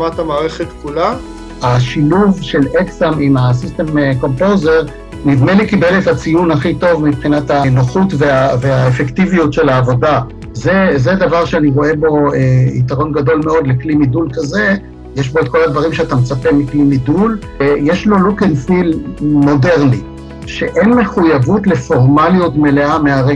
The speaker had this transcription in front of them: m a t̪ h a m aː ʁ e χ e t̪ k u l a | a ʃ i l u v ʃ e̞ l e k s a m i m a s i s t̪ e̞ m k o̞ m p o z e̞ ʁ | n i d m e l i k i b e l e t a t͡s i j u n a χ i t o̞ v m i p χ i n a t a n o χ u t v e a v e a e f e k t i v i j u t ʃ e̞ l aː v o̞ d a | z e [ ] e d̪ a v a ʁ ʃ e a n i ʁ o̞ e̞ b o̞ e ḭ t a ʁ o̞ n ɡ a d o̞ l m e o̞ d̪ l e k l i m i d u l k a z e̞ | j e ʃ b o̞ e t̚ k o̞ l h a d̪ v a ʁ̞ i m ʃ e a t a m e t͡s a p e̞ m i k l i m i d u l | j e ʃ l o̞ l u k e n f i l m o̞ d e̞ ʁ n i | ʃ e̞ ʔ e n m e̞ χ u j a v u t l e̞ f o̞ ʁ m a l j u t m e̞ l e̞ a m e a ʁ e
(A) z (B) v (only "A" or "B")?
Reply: A